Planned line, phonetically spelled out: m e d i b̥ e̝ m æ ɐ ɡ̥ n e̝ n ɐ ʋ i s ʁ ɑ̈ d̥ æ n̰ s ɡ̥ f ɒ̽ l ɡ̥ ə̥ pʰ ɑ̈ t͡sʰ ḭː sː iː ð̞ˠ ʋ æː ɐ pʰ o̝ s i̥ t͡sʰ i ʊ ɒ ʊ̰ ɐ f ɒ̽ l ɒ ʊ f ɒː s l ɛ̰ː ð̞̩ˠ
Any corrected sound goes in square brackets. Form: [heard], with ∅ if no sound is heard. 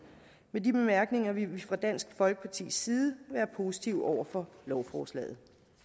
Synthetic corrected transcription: m e d i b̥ e̝ m æ ɐ ɡ̥ n e̝ [ŋ] ɐ ʋ i [f] ʁ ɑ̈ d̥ æ n̰ s ɡ̥ f ɒ̽ l ɡ̥ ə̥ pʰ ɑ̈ t͡sʰ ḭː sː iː ð̞ˠ ʋ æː ɐ pʰ o̝ s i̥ t͡sʰ i ʊ ɒ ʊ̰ ɐ f ɒ̽ l ɒ ʊ f ɒː s l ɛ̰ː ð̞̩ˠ